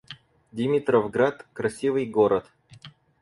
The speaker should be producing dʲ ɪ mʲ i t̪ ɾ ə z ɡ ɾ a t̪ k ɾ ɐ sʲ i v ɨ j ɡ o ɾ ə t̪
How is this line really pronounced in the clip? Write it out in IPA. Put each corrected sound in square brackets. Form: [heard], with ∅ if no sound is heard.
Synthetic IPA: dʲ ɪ mʲ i t̪ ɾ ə [v] ɡ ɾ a t̪ k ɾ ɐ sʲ i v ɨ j ɡ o ɾ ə t̪

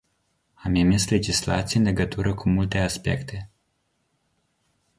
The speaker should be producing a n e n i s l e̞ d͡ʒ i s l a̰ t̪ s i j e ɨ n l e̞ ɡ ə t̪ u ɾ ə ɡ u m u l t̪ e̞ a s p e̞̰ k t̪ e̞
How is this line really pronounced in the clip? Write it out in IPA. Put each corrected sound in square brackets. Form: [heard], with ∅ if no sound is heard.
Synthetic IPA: a [m] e [m] i s l e̞ d͡ʒ i s l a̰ t̪ s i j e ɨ n l e̞ ɡ ə t̪ u ɾ ə [k] u m u l t̪ e̞ a s p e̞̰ k t̪ e̞

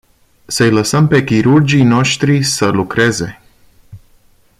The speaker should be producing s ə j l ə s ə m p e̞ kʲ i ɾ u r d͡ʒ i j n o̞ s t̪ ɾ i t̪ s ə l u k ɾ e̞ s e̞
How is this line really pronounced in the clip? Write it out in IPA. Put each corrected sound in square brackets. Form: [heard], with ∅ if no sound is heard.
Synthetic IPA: s ə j l ə s ə m p e̞ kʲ i ɾ u r d͡ʒ i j n o̞ [ʃ] t̪ ɾ i [∅] s ə l u k ɾ e̞ [z] e̞

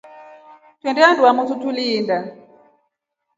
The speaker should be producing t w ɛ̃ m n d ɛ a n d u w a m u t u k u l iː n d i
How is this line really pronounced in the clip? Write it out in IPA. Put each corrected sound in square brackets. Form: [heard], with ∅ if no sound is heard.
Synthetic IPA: t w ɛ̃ [∅] n d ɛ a n d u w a m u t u [t] u l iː n d [a]

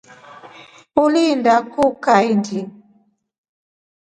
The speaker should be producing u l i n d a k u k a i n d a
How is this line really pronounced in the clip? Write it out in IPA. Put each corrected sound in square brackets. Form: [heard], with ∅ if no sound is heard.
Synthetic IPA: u l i n d a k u k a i n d [i]

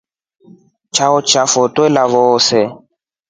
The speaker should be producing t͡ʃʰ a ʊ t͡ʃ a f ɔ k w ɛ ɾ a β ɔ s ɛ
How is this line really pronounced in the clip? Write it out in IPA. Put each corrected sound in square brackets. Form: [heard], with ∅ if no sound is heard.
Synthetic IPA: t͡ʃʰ a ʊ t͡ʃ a f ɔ [t] w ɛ [l] a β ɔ s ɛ

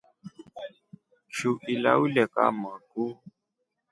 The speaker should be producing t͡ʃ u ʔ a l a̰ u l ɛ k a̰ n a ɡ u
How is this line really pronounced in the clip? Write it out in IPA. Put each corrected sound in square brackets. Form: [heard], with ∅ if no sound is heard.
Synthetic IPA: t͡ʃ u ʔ [i] l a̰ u l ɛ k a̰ [m] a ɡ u

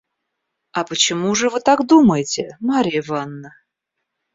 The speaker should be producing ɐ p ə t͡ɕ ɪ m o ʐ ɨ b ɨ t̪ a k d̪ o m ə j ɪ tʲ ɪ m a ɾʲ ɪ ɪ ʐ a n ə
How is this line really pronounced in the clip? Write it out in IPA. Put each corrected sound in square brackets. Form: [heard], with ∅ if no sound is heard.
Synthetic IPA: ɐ p ə t͡ɕ ɪ m [u] ʐ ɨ [v] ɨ t̪ a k d̪ [u] m ə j ɪ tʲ ɪ m a ɾʲ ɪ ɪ [v] a [nː] ə

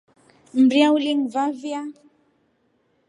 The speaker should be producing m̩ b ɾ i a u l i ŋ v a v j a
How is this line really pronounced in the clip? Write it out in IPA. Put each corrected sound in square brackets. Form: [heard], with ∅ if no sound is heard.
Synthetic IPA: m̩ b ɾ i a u l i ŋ v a v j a

